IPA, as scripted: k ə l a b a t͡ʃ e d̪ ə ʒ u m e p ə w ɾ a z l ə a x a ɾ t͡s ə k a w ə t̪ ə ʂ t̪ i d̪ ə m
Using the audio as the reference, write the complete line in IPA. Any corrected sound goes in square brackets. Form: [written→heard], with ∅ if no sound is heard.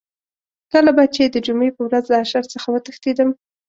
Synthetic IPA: k ə l a b a t͡ʃ e d̪ ə [ʒ→d͡ʒ] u m e p ə w ɾ a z l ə a [x→ʃ] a ɾ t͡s ə [k→x] a w ə t̪ ə [ʂ→x] t̪ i d̪ ə m